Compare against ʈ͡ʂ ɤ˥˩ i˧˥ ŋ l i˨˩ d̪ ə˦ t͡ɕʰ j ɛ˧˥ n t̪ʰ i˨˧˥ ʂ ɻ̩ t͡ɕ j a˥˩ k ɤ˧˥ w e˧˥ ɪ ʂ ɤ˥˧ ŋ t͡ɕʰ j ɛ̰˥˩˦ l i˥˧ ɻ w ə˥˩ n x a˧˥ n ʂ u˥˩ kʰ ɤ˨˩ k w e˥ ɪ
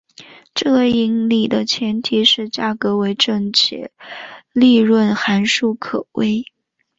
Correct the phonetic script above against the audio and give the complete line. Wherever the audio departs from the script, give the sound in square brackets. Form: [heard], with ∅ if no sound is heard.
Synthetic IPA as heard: ʈ͡ʂ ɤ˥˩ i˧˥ ŋ l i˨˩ d̪ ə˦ t͡ɕʰ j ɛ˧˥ n t̪ʰ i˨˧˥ ʂ ɻ̩ t͡ɕ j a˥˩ k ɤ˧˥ w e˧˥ ɪ [ʈ͡ʂ] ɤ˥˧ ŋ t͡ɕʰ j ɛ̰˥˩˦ l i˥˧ ɻ w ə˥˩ n x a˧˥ n ʂ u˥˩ kʰ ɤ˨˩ [∅] w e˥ ɪ